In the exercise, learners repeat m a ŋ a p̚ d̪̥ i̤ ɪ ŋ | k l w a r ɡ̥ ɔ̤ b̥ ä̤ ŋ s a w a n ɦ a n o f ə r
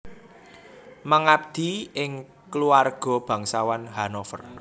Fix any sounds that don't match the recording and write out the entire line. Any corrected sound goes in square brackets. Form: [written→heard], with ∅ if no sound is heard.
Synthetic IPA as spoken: m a ŋ a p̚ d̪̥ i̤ ɪ ŋ | k l [w→u] a r ɡ̥ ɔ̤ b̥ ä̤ ŋ s a w a n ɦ a n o f ə r